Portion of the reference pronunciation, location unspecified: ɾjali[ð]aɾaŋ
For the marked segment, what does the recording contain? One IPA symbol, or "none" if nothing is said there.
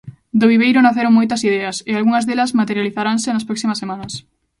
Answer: θ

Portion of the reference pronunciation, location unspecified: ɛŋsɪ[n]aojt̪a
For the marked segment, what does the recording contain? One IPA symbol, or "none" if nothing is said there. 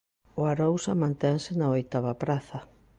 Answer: n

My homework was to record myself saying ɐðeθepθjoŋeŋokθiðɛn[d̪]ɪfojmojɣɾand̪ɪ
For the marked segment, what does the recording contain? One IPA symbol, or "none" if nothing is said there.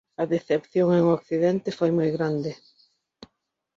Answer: t̪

